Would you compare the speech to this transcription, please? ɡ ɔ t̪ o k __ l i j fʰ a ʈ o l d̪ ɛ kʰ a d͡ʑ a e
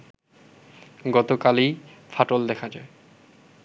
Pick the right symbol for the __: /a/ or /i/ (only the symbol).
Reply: a